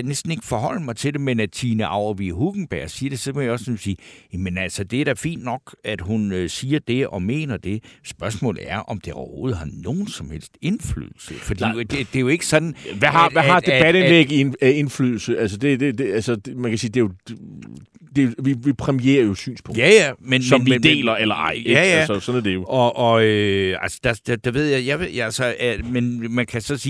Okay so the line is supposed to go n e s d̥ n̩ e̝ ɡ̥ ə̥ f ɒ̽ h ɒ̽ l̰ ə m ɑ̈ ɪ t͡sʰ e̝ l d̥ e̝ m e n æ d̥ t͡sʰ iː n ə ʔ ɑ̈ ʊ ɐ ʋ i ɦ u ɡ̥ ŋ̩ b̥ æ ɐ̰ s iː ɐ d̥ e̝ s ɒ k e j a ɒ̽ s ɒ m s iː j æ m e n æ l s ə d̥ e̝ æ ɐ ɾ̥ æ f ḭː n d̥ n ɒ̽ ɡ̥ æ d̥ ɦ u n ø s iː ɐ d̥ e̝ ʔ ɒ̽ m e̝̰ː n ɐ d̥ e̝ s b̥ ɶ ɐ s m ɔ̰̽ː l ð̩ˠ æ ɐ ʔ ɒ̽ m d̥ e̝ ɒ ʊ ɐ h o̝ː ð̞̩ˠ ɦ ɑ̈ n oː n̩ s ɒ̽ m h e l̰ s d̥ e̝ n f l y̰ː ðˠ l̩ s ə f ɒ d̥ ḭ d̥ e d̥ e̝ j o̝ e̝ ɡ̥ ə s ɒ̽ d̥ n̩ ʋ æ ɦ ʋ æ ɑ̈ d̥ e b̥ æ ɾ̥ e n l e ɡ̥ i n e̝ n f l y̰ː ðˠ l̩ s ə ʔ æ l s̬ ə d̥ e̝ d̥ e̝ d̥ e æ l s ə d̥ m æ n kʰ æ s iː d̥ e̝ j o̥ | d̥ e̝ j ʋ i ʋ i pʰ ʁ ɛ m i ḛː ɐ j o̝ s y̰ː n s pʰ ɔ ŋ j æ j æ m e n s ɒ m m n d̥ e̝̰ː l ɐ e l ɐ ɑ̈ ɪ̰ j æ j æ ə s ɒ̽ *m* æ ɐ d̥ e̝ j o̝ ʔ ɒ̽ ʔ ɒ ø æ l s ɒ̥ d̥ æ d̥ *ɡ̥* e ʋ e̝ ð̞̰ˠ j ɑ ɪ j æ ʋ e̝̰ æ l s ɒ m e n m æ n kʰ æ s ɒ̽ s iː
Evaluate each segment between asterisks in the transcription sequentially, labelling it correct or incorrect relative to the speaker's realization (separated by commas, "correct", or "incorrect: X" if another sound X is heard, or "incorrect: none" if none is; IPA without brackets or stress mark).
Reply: incorrect: n, incorrect: d̥